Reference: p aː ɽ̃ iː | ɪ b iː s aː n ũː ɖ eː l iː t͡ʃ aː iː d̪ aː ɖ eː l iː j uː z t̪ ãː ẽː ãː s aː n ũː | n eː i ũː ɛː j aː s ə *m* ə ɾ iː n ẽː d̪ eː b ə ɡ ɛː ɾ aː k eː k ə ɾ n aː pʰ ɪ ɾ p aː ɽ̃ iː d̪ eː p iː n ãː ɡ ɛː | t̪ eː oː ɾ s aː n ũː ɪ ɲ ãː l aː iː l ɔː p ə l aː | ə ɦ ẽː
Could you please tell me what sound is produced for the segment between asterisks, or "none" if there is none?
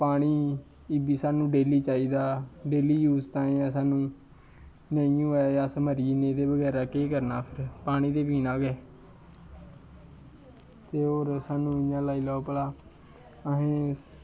m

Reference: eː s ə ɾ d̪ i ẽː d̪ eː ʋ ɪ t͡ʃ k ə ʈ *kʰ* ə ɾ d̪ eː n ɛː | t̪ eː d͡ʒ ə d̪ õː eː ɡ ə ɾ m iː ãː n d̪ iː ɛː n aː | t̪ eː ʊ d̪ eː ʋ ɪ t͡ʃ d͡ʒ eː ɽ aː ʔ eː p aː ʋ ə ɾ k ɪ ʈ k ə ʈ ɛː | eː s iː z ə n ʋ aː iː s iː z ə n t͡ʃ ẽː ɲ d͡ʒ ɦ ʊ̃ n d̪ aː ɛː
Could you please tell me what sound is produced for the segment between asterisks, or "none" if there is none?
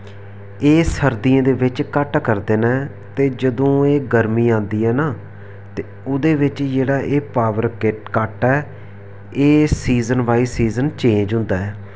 k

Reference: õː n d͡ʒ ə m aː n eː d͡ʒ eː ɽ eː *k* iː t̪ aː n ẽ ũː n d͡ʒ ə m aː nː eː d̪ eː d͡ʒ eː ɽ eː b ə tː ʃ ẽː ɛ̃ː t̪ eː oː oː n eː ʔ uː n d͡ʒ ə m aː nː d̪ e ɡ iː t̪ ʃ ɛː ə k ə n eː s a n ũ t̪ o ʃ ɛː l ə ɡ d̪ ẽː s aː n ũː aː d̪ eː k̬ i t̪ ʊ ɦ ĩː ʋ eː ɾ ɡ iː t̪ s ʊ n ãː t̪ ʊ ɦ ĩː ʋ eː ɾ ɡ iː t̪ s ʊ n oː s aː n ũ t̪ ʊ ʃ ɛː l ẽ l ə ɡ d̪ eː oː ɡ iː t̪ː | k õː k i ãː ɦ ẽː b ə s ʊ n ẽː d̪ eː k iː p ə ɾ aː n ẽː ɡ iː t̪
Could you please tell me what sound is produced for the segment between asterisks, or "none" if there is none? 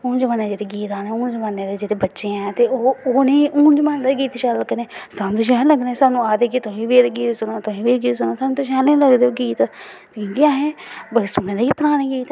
ɡ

